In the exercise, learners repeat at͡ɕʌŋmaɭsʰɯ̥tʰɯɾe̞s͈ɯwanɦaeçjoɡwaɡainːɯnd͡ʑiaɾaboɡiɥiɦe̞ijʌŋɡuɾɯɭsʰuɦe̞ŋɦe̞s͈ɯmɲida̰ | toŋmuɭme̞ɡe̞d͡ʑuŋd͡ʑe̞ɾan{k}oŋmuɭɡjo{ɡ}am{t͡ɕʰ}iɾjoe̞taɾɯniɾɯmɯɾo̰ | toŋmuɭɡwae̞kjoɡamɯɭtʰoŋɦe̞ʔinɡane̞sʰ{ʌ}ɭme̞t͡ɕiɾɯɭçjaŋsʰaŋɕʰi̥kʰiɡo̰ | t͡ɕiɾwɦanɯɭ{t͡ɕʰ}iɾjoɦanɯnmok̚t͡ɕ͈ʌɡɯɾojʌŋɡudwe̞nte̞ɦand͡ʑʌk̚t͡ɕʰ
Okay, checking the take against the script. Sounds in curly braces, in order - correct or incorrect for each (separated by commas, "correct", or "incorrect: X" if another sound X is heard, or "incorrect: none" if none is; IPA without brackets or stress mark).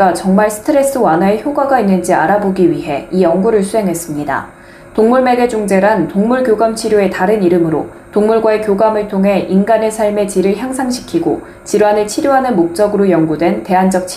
incorrect: t, correct, correct, incorrect: a, correct